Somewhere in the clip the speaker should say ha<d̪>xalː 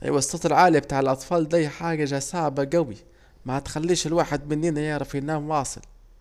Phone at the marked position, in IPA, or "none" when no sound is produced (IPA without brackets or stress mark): t̪